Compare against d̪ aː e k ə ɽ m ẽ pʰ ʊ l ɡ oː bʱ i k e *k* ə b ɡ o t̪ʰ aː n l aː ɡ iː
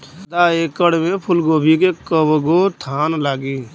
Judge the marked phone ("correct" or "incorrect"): correct